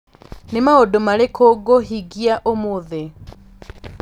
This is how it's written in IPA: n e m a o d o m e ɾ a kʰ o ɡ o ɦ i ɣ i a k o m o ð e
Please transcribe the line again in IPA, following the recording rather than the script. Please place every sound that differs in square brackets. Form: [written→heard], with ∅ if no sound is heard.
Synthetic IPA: n e m a o d o m [e→a] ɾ [a→e] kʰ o ɡ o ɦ i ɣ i a [k→ʔ] o m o ð e

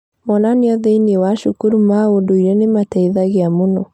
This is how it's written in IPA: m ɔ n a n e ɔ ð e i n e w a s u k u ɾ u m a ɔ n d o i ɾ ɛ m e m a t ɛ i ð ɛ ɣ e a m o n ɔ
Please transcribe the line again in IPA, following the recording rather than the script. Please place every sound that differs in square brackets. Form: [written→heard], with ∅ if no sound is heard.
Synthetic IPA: m ɔ n a n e ɔ ð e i n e w a [s→ʃ] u k u ɾ u m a [ɔ→o] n d o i ɾ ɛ [m→n] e m a t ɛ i ð [ɛ→a] ɣ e a m o n ɔ

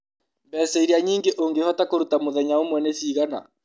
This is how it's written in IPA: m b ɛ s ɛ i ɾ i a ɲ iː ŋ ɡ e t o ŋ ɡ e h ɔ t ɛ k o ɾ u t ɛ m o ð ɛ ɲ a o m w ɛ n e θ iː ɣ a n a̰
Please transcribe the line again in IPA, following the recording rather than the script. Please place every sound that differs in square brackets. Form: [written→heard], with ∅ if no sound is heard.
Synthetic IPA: m b ɛ s ɛ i ɾ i a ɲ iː ŋ ɡ e [t→ʔ] o ŋ ɡ e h ɔ t [ɛ→a] k o ɾ u t [ɛ→a] m o ð ɛ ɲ a o m w ɛ n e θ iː ɣ a n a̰

